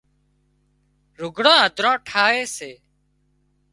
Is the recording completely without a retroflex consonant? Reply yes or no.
no